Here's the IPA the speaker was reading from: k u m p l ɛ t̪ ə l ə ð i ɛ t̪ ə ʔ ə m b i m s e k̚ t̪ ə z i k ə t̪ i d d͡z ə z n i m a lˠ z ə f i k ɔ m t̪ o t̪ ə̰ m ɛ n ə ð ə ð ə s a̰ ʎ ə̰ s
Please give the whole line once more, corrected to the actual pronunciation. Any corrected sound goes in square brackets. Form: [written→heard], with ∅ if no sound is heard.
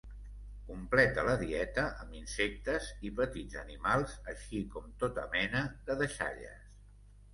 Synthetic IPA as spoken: k u m p l ɛ t̪ ə l ə ð i ɛ t̪ ə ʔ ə m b i [m→n] s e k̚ t̪ ə z i [k→p] ə t̪ i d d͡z ə [z→∅] n i m a lˠ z ə [f→ʃ] i k ɔ m t̪ o t̪ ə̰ m ɛ n ə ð ə ð ə [s→ʃ] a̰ ʎ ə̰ s